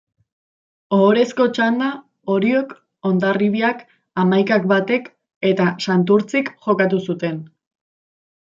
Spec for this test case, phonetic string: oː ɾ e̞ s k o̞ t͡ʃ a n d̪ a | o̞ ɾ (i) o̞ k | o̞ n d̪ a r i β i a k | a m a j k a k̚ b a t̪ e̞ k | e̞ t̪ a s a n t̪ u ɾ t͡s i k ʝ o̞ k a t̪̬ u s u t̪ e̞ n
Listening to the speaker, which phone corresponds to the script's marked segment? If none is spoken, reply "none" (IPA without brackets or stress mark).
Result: i